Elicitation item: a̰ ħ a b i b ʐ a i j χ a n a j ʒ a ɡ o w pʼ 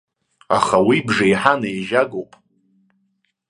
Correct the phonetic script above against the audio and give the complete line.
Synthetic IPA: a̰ χ a w i b ʐ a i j ħ a n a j ʒ a ɡ o w pʼ